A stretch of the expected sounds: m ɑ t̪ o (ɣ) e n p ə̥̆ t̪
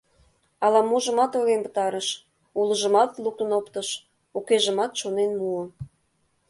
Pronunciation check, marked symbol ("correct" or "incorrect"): correct